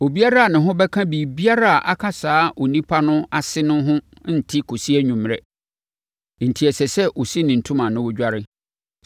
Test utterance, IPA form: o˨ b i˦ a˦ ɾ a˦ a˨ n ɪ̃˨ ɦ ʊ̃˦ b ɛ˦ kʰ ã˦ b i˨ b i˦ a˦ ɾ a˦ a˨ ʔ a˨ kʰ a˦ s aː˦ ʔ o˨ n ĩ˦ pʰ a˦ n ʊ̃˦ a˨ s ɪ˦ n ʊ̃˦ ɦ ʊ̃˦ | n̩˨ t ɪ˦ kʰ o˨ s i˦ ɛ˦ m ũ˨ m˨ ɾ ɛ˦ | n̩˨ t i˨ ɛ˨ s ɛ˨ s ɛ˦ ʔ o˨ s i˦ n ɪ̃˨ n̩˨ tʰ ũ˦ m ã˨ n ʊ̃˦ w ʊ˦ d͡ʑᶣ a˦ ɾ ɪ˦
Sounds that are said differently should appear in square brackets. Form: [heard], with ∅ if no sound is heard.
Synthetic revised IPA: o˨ b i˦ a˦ ɾ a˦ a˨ n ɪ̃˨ ɦ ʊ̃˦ b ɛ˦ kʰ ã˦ b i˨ b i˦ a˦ ɾ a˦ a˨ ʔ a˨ kʰ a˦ s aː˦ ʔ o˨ n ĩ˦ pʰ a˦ n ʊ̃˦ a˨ s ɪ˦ n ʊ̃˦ ɦ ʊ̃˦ | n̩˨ [tʰ] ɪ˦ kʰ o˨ s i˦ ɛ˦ [ɲ] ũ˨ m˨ ɾ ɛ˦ | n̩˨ [tʰ] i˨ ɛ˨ s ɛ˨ s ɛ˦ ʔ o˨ s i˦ n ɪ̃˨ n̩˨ tʰ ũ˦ m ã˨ n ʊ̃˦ w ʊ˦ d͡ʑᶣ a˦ ɾ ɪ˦